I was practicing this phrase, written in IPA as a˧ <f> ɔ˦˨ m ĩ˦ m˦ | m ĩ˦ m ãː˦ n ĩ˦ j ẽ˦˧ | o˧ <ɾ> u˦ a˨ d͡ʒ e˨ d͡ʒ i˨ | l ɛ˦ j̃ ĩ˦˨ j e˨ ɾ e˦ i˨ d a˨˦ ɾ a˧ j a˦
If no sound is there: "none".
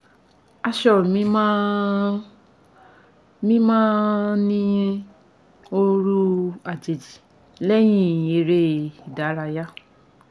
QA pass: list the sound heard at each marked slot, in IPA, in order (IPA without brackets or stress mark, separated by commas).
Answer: ʃ, ɾ